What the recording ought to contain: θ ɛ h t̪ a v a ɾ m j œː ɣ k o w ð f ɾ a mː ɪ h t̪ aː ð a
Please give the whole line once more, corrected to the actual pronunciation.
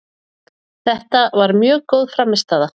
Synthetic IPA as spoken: θ ɛ h t̪ a v a ɾ m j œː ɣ k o w ð f ɾ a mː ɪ s t̪ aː ð a